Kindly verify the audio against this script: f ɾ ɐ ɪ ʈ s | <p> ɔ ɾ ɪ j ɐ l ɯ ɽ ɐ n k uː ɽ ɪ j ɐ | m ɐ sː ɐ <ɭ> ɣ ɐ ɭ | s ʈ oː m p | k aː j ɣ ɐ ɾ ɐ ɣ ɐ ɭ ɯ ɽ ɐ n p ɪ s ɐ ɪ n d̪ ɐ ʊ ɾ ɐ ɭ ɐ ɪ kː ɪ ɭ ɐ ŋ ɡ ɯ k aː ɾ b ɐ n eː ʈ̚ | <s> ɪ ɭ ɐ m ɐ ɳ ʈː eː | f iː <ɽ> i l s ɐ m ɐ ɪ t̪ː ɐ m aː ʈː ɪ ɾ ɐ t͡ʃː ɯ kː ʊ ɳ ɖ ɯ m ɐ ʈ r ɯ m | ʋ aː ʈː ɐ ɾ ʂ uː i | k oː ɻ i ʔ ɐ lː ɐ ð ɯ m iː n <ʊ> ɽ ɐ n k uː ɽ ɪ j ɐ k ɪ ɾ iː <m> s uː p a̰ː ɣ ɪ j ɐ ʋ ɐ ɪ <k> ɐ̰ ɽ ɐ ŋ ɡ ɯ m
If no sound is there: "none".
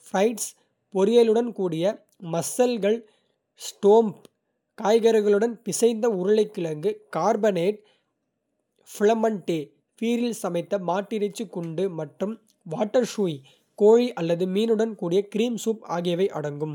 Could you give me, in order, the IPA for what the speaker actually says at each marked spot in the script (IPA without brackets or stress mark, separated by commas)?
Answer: p, l, f, ɾ, ɯ, m, ʔ